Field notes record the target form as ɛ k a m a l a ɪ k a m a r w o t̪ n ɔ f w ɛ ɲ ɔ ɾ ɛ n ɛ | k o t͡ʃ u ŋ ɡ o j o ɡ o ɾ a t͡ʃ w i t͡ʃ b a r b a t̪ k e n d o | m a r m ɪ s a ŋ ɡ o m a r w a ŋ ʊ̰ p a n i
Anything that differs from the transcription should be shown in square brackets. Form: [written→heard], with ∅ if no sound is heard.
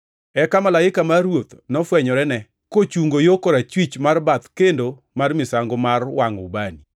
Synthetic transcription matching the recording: ɛ k a m a l a ɪ k a m a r w o t̪ n ɔ f w ɛ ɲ ɔ ɾ ɛ n ɛ | k o t͡ʃ u ŋ ɡ o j o [ɡ→k] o ɾ a t͡ʃ w i t͡ʃ [b→m] a r b a t̪ k e n d o | m a r m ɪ s a ŋ ɡ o m a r w a ŋ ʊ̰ [p→b] a n i